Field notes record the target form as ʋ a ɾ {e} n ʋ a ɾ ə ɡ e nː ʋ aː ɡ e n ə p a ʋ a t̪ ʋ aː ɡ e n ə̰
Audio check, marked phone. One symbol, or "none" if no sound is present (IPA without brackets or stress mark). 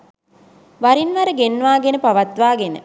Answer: i